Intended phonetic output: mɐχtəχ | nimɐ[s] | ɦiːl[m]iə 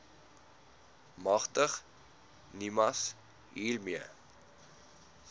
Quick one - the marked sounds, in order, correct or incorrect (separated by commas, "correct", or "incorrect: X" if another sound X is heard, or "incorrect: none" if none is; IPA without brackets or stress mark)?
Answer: correct, correct